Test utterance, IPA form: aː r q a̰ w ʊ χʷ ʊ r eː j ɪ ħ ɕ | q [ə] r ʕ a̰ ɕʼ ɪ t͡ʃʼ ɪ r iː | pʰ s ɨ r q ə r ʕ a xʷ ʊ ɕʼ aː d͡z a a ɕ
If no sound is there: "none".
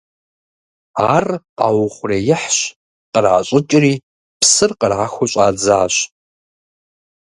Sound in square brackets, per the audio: ə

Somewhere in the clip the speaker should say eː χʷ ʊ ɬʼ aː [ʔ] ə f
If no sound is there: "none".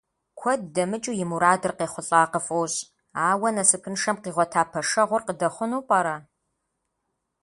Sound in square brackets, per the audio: q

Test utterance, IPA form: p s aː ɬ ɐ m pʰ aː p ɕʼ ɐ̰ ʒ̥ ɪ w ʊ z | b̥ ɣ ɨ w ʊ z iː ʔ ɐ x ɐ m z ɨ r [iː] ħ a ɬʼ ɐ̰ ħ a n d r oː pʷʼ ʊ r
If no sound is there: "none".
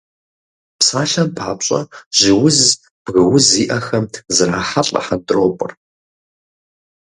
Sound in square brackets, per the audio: aː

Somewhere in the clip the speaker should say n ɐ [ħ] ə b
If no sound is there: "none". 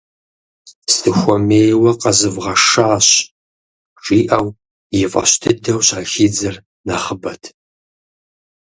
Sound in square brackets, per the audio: χ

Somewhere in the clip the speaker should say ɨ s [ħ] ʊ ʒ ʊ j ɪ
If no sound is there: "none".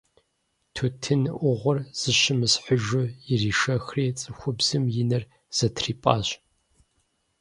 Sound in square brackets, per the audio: ħ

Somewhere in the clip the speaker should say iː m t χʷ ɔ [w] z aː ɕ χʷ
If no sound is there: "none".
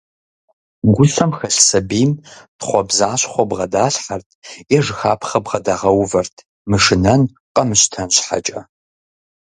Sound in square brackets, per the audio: b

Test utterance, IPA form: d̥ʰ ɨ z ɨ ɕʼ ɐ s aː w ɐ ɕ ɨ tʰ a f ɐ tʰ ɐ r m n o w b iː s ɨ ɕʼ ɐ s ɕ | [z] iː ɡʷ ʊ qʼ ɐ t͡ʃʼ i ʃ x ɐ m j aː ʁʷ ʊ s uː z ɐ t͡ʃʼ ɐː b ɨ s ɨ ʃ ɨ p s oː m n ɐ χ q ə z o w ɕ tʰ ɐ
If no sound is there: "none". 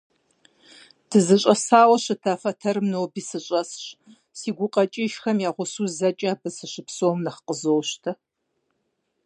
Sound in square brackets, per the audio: s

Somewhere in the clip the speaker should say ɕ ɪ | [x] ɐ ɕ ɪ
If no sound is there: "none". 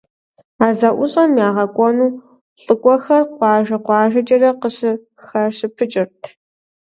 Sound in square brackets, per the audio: x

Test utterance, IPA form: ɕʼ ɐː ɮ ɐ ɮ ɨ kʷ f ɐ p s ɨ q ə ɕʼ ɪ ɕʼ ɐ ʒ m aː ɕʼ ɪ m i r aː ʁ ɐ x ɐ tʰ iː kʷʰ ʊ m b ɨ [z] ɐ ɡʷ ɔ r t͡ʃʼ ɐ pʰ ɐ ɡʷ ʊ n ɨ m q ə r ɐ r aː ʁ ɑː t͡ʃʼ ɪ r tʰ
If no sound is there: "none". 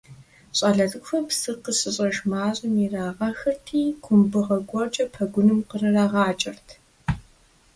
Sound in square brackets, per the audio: ʁ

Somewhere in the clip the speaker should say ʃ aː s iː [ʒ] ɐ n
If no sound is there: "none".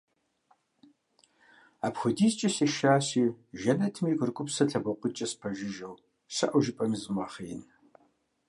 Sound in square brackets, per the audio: ʒ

